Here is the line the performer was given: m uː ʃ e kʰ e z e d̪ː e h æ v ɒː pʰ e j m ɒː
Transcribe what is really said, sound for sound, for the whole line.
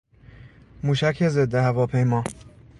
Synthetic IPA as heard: m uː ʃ æ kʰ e z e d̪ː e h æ v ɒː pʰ e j m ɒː